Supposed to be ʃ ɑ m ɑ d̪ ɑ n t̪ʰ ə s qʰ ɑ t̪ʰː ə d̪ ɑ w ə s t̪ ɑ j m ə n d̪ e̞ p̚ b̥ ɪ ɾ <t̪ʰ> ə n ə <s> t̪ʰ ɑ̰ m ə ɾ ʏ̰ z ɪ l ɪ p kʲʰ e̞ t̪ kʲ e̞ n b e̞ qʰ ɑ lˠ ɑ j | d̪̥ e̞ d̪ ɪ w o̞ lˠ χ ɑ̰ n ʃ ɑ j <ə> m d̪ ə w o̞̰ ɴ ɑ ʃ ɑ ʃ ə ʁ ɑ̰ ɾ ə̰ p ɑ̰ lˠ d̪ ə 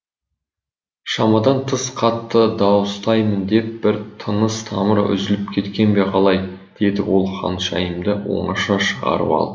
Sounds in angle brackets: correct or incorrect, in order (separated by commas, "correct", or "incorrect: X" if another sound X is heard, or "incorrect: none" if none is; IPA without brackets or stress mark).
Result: correct, correct, correct